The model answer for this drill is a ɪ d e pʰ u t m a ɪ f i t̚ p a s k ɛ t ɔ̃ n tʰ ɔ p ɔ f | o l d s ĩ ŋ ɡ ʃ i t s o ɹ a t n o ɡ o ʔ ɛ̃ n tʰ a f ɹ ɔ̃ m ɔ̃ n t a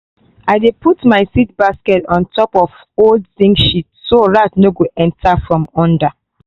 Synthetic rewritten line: a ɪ d e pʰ u t m a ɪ s i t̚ b a s k ɛ t ɔ̃ n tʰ ɔ p ɔ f | o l d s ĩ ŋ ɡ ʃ i t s o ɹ a t n o ɡ o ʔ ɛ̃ n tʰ a f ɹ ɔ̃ m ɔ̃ n d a